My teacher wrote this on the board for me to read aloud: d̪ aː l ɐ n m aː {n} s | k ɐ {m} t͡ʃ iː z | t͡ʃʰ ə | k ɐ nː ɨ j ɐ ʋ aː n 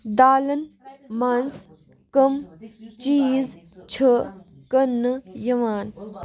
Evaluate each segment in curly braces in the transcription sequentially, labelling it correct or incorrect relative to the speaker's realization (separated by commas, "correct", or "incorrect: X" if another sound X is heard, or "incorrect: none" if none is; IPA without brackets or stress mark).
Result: correct, correct